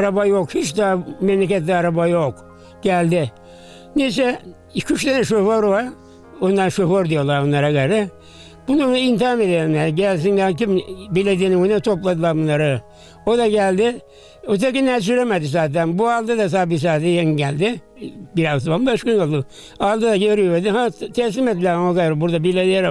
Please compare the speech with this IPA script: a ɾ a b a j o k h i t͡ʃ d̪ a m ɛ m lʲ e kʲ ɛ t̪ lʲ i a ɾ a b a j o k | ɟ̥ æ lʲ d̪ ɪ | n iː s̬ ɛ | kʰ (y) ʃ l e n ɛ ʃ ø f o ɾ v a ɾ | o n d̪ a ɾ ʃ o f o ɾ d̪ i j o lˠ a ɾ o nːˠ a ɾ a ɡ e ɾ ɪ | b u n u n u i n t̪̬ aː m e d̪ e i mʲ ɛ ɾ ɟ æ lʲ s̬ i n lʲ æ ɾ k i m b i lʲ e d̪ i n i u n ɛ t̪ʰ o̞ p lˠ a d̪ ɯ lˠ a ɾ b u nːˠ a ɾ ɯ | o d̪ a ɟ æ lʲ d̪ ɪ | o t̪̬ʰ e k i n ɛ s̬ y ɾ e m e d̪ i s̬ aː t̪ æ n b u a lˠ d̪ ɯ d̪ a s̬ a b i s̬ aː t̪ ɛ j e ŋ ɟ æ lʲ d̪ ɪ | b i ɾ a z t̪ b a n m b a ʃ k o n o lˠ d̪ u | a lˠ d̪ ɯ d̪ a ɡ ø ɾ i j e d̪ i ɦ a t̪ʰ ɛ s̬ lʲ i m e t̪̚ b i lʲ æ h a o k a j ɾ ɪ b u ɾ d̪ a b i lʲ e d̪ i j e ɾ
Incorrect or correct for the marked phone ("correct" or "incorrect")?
correct